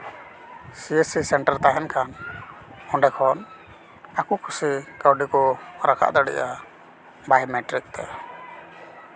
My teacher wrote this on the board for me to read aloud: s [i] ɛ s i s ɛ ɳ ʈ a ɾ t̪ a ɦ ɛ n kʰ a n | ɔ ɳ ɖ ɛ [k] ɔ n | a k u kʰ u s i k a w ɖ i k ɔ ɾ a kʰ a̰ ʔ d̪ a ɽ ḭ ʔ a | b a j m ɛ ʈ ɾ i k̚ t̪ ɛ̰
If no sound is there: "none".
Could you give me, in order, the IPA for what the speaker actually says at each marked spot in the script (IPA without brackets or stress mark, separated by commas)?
i, kʰ